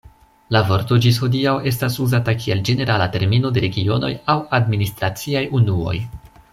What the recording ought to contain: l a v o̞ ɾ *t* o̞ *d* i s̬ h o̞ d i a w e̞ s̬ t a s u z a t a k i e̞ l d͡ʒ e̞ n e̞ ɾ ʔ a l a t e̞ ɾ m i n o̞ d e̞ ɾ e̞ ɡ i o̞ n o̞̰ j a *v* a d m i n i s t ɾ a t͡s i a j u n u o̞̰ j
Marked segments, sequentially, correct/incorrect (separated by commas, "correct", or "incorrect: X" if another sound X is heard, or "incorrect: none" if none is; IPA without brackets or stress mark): correct, incorrect: d͡ʒ, incorrect: w